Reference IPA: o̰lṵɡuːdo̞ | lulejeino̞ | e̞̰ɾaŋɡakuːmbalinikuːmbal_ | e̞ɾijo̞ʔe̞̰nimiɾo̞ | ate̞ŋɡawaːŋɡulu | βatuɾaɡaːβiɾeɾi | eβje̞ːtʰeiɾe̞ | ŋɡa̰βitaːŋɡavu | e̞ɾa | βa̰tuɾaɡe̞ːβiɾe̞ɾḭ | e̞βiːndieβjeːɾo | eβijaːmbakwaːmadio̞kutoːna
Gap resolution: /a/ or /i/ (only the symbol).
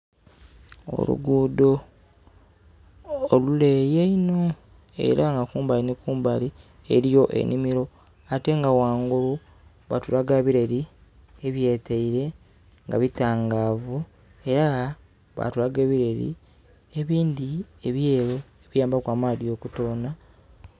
i